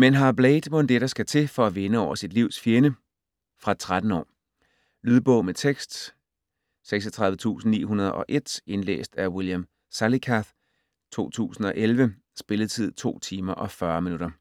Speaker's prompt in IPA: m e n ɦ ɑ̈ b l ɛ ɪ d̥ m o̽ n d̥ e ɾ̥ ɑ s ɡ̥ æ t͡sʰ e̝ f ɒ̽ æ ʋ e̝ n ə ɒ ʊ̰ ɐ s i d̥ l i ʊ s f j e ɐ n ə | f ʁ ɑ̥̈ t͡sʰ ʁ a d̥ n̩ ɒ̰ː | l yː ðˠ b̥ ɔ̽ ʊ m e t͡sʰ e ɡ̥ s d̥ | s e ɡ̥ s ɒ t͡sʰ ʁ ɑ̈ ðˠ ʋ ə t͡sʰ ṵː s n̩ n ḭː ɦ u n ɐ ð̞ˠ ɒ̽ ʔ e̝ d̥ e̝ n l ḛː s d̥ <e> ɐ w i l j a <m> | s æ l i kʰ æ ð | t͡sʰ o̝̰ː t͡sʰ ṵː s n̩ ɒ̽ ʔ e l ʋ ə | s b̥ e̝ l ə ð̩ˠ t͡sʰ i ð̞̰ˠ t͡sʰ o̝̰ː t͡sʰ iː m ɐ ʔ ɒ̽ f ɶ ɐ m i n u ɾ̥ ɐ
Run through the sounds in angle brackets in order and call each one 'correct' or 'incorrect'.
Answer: incorrect: æ, correct

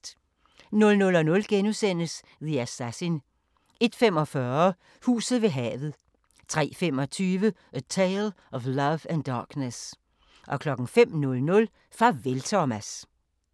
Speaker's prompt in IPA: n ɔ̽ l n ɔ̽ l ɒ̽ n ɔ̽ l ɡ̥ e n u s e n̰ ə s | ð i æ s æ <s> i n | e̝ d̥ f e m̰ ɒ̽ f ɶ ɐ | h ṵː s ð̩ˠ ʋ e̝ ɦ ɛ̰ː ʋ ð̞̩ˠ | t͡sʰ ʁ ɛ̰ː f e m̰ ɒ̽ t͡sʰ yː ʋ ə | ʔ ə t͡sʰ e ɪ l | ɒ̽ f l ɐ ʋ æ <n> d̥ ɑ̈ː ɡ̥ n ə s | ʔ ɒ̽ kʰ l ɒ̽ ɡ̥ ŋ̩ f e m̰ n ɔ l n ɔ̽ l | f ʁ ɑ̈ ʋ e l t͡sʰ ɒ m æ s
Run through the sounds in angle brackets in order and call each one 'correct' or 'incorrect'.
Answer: correct, correct

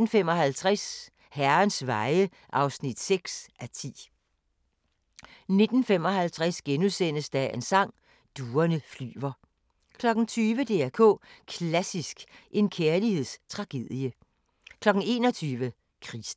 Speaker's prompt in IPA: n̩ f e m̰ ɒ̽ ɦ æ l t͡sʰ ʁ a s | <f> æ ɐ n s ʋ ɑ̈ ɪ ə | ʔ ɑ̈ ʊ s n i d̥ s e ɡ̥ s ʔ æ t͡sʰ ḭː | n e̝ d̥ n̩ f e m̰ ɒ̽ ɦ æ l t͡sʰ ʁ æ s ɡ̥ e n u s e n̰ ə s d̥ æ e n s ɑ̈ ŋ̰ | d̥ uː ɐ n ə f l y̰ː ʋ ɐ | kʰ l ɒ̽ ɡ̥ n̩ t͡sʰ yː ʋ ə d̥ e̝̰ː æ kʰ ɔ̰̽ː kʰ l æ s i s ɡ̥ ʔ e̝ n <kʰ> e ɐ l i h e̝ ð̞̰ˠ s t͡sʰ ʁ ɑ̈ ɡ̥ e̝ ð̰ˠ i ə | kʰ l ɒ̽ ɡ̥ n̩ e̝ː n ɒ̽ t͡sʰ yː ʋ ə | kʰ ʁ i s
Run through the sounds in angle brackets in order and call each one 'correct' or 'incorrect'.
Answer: incorrect: h, correct

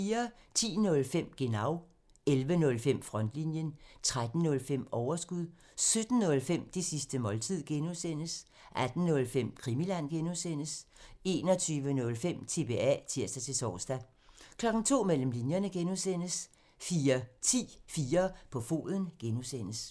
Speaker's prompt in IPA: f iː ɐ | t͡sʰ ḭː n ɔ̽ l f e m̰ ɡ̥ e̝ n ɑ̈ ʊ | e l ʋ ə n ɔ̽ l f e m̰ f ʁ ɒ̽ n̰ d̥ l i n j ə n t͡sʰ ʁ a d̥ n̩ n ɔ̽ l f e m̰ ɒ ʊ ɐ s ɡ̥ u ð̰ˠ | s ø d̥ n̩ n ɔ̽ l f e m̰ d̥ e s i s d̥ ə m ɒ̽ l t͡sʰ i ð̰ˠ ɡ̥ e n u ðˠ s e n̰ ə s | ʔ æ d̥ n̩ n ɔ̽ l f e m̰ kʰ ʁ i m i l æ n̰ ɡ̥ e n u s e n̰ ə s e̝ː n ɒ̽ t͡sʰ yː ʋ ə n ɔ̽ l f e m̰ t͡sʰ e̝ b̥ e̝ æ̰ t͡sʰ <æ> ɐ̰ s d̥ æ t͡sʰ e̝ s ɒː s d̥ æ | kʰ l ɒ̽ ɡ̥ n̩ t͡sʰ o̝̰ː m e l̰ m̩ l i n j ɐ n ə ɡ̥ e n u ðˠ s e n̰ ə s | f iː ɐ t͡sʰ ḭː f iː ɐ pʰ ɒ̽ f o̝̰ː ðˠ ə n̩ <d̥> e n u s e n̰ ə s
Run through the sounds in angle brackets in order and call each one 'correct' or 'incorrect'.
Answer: incorrect: i, incorrect: ɡ̥

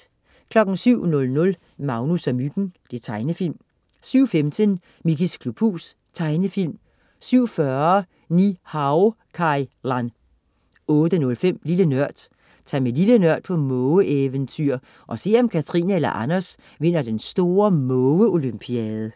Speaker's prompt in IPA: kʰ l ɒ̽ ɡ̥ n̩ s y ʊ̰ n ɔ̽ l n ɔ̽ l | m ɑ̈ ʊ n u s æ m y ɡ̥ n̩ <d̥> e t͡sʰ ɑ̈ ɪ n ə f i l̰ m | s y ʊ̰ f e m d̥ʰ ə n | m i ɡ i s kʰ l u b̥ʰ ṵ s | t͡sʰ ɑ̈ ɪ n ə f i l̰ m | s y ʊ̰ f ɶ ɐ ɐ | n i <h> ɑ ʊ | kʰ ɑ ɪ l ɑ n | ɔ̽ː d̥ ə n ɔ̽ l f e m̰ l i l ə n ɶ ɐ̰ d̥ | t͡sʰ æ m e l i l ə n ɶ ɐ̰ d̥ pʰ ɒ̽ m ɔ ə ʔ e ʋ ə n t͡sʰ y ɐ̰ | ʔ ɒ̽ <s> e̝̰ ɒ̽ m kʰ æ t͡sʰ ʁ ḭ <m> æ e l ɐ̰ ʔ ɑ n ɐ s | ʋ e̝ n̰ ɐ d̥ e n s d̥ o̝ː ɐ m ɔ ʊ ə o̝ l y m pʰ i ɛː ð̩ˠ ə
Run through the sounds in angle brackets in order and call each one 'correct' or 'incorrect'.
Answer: correct, correct, correct, incorrect: n

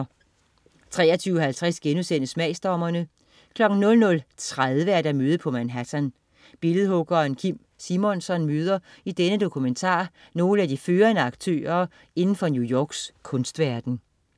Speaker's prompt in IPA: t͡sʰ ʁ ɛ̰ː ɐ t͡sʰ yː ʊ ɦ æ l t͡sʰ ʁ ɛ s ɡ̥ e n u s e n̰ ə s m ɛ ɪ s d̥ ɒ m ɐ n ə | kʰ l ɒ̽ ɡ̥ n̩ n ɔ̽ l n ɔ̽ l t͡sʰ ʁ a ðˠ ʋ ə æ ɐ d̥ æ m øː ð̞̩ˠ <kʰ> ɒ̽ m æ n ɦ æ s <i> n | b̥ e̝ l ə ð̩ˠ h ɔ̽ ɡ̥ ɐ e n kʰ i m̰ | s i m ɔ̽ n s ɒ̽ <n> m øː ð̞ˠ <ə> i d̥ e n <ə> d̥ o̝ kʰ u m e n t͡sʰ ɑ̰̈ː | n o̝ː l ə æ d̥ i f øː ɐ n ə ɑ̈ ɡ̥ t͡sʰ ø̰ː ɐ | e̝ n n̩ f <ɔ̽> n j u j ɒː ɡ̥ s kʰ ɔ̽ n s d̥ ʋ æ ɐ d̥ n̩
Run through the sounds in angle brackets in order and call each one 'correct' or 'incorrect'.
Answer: incorrect: pʰ, incorrect: æ, correct, incorrect: ɐ, correct, incorrect: ɒ̽

